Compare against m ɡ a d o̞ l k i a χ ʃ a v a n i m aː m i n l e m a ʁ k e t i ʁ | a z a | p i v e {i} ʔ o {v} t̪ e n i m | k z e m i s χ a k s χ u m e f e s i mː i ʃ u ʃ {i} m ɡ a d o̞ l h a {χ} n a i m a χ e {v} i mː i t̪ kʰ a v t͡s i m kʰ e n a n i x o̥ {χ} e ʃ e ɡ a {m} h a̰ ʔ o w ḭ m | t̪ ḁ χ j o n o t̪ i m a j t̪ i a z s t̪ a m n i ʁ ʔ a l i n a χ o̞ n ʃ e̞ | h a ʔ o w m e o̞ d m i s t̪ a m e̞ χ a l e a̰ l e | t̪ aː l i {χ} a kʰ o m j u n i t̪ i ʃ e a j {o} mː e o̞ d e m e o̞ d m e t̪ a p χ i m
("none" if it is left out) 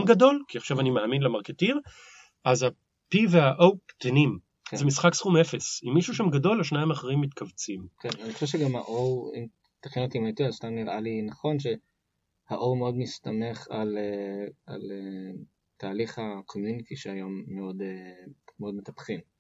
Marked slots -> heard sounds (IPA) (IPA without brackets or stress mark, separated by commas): a, w, a, ʃ, ʁ, ʃ, m, χ, o